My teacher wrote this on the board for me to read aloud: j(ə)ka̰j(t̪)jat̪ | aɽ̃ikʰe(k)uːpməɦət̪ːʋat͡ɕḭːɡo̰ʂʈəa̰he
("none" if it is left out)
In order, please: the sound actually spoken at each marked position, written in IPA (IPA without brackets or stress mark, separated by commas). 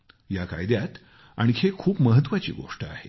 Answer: a, d̪, kʰ